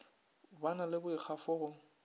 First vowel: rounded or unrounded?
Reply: unrounded